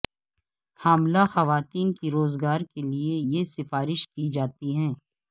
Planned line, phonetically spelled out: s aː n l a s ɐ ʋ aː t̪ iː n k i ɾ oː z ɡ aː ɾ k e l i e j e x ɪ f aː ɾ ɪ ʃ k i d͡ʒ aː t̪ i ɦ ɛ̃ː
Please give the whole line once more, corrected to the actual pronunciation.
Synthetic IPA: h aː m l a x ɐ ʋ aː t̪ iː n k i ɾ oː z ɡ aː ɾ k e l i e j e s ɪ f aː ɾ ɪ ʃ k i d͡ʒ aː t̪ i ɦ ɛ̃ː